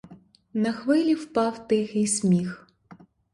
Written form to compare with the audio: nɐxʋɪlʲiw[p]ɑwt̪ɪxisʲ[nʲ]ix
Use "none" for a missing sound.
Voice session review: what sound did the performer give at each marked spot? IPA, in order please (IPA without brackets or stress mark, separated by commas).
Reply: p, mʲ